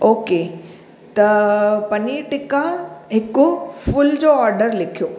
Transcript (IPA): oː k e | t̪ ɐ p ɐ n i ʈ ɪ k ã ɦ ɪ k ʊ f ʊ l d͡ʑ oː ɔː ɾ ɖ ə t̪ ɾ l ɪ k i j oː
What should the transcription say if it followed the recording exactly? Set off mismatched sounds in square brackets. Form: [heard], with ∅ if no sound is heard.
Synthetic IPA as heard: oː k e | t̪ ɐ p ɐ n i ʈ ɪ k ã ɦ ɪ k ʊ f ʊ l d͡ʑ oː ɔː ɾ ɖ ə [∅] ɾ l ɪ [kʰ] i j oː